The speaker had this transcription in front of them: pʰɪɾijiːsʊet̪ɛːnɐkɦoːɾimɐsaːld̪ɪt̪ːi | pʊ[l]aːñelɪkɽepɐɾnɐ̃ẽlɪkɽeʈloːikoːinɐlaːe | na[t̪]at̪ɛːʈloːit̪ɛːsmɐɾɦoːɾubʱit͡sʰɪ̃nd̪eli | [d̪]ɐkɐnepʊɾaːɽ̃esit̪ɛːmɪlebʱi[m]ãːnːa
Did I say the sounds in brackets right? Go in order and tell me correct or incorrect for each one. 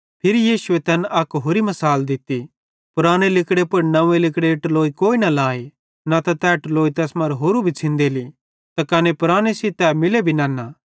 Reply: incorrect, correct, incorrect, incorrect

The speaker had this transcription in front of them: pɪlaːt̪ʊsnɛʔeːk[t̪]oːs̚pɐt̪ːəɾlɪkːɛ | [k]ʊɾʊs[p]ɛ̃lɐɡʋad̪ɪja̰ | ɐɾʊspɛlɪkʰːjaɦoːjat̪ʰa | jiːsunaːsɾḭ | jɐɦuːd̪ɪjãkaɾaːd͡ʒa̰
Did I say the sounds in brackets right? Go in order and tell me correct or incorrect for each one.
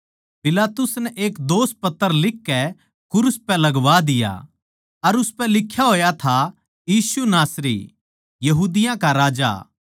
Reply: incorrect, correct, correct

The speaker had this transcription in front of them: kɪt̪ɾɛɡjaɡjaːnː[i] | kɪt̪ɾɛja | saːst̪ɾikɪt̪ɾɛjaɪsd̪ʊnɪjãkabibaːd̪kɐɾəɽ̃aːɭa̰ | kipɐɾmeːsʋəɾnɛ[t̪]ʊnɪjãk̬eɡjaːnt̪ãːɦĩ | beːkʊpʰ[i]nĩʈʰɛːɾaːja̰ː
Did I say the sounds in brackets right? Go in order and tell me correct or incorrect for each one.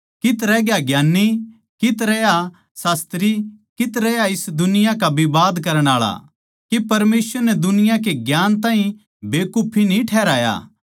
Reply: correct, incorrect, correct

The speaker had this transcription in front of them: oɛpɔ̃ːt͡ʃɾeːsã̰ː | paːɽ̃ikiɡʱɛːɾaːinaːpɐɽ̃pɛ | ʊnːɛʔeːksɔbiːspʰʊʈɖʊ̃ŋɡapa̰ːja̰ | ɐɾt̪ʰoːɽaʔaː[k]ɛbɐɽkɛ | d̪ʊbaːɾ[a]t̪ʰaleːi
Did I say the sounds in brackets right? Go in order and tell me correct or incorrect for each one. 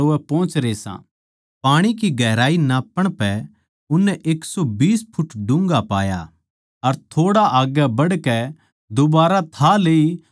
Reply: incorrect, correct

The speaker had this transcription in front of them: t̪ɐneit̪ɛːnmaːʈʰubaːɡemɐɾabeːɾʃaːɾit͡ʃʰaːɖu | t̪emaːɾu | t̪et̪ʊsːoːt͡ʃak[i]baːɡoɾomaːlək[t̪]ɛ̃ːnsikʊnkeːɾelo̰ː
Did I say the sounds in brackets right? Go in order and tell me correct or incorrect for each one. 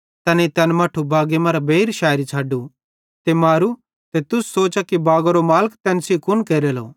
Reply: correct, correct

